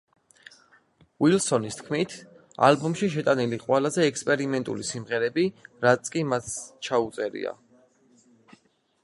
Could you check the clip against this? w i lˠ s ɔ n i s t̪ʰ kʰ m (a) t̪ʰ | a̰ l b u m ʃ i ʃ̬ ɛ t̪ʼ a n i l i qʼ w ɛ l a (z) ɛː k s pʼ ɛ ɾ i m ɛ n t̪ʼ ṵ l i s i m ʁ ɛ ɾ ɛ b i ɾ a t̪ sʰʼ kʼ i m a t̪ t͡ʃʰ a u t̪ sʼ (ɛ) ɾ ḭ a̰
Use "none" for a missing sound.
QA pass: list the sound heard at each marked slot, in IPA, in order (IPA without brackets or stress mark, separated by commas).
i, z, ɛ